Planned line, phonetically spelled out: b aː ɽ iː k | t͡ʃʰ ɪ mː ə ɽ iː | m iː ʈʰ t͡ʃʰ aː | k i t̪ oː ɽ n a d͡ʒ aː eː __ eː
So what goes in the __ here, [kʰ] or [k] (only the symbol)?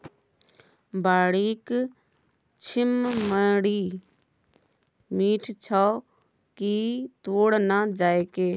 k